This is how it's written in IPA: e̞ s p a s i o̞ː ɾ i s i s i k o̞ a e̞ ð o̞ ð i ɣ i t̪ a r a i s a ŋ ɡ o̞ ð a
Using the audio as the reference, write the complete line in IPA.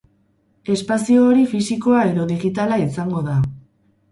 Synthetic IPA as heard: e̞ s p a s i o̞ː ɾ i f i s i k o̞ a e̞ ð o̞ ð i ɣ i t̪ a l a i s a ŋ ɡ o̞ ð a

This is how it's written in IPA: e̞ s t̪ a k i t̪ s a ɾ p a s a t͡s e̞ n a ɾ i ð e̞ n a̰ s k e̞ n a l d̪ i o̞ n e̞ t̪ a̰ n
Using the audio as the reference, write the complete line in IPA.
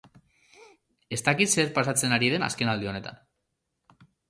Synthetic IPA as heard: e̞ s t̪ a k i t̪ s e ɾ p a s a t͡s e̞ n a ɾ i ð e̞ n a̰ s k e̞ n a l d̪ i o̞ n e̞ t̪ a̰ n

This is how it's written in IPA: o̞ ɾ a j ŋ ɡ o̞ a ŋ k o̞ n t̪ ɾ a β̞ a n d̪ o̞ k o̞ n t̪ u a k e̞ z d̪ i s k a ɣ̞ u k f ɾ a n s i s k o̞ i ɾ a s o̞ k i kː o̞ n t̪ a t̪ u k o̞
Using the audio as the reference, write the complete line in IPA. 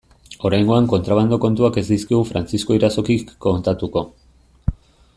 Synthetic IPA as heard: o̞ ɾ a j ŋ ɡ o̞ a ŋ k o̞ n t̪ ɾ a β̞ a n d̪ o̞ k o̞ n t̪ u a k e̞ z d̪ i s k i ɣ̞ u f ɾ a n t͡s i s k o̞ i ɾ a s o̞ k i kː o̞ n t̪ a t̪ u k o̞

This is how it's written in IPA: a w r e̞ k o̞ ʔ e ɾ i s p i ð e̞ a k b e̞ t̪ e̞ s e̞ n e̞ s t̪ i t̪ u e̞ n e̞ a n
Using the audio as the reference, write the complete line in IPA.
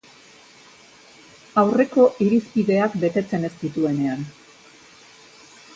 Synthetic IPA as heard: a w r e̞ k o̞ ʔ i ɾ i s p i ð e̞ a k b e̞ t̪ e̞ t͡s e̞ n e̞ s t̪ i t̪ u e̞ n e̞ a n

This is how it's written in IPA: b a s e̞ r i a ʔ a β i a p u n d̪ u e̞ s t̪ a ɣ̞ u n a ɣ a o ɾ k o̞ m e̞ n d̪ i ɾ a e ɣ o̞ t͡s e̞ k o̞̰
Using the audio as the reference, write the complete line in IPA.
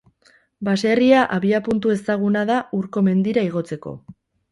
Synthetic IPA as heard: b a s e̞ r i a ʔ a β i a p u n t̪ u e̞ s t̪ a ɣ̞ u n a ð a u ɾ k o̞ m e̞ n d̪ i ɾ a i ɣ o̞ t͡s e̞ k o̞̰

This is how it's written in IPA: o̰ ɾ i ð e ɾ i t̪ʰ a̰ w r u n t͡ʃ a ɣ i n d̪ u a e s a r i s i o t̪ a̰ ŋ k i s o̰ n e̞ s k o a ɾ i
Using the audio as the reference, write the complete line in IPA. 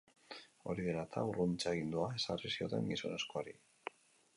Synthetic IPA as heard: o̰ ɾ i ð e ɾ a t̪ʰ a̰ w r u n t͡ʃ a ɣ i n d̪ u a e s a r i s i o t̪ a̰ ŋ ɡ i s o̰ n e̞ s k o a ɾ i

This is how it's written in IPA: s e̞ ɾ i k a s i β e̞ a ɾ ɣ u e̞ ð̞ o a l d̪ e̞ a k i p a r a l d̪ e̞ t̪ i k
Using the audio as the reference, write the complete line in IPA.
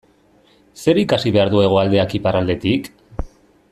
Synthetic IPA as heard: s e̞ ɾ i k a s i β e̞ a ɾ ð u e̞ ɣ̞ o a l d̪ e̞ a k i p a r a l d̪ e̞ t̪ i k

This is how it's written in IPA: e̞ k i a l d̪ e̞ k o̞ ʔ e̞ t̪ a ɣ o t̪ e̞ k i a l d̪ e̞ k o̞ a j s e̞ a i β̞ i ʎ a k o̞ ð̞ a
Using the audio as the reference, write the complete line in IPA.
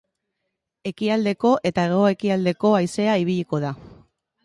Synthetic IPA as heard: e̞ k i a l d̪ e̞ k o̞ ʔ e̞ t̪ a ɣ o e̞ k i a l d̪ e̞ k o̞ a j s e̞ a i β̞ i ʎ i k o̞ ð̞ a

